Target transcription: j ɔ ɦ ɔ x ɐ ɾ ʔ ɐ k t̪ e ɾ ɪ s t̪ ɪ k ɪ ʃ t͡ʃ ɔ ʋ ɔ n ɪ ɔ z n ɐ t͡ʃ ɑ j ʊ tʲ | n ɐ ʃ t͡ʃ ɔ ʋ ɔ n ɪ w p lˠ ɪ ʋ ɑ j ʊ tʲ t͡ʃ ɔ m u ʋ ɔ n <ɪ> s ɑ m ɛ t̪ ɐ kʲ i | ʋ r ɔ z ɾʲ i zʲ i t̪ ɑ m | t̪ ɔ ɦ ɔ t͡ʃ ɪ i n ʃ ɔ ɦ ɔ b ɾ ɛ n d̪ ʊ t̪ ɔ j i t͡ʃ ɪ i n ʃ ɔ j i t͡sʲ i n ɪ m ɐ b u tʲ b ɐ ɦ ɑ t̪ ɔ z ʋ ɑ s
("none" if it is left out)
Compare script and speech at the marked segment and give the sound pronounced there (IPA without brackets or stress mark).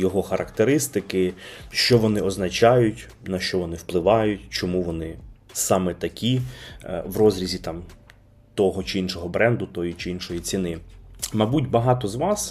ɪ